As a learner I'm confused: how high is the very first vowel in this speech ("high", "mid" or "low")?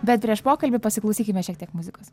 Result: mid